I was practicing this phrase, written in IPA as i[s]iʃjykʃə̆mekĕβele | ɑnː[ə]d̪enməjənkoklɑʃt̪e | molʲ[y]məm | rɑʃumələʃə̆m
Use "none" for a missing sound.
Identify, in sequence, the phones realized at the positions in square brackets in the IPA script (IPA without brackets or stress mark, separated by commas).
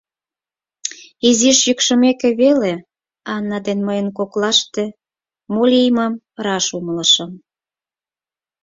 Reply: z, ɑ, i